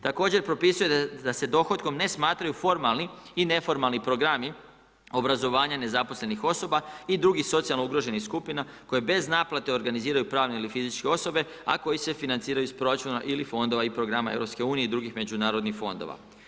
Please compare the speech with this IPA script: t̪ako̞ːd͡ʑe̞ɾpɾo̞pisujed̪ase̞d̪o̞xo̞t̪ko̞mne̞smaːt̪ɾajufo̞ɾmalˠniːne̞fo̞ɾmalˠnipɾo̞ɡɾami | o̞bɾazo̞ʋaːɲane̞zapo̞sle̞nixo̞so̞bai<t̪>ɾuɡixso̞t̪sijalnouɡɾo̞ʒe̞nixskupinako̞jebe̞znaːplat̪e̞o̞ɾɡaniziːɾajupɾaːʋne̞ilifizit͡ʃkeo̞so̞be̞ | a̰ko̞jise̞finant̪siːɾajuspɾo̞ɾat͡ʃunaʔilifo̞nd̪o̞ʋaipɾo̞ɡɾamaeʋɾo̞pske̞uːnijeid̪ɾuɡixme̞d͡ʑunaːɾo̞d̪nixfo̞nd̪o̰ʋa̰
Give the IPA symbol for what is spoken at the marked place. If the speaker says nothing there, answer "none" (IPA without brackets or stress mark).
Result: d̪